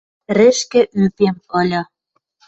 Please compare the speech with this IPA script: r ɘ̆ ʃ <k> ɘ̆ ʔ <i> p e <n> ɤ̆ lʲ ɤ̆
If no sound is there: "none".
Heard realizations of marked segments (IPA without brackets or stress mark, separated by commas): k, y, m